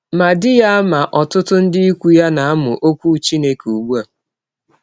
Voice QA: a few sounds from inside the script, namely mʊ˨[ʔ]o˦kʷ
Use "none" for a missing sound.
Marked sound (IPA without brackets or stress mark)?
ʔ